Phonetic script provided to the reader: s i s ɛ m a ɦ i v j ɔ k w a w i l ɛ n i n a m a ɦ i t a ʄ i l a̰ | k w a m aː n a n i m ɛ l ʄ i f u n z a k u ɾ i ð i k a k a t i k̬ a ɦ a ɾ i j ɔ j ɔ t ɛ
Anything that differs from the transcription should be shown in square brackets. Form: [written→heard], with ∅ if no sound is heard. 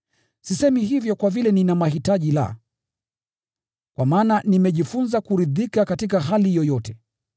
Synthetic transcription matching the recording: s i s ɛ m [a→i] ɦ i v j ɔ k w a [w→v] i l ɛ n i n a m a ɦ i t a ʄ i l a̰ | k w a m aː n a n i m ɛ [l→∅] ʄ i f u n z a k u ɾ i ð i k a k a t i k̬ a ɦ a [ɾ→l] i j ɔ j ɔ t ɛ